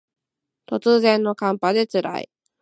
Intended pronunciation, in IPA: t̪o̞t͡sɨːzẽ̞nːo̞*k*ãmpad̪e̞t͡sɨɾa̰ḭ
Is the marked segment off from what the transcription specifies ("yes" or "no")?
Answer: no